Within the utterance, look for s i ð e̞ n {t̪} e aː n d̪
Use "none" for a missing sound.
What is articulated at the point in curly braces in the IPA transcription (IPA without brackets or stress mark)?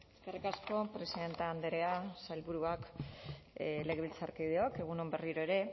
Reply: t̪